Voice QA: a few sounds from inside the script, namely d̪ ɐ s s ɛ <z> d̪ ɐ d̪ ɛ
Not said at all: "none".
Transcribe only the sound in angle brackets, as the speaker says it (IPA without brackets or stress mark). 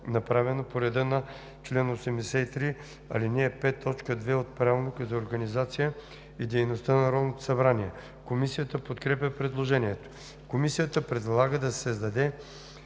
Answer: z